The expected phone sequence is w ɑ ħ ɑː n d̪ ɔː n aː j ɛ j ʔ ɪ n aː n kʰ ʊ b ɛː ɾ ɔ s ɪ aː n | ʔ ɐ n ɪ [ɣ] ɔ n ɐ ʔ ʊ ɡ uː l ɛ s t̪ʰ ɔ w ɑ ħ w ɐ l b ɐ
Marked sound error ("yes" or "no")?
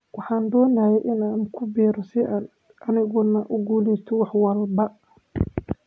no